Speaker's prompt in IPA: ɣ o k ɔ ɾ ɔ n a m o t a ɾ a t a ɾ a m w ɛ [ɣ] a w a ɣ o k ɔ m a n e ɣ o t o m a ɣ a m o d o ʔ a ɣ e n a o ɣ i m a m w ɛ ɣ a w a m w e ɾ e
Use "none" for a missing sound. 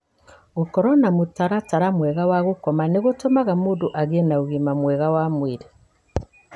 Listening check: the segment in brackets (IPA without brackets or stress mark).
ɣ